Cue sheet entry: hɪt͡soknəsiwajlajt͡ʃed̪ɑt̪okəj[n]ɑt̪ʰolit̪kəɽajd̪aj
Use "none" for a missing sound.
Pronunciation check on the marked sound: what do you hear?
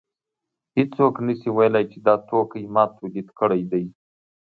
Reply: m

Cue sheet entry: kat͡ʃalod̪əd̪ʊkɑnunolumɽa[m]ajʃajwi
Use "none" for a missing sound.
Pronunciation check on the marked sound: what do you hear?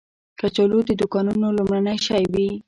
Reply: n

